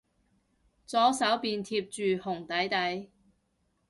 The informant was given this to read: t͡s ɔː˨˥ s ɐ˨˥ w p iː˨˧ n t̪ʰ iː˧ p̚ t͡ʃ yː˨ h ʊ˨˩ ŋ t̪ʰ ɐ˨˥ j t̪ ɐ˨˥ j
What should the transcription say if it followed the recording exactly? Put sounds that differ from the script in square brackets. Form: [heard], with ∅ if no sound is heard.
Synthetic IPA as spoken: t͡s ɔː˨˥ s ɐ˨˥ w p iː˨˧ n t̪ʰ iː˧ p̚ t͡ʃ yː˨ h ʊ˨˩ ŋ [t̪] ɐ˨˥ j t̪ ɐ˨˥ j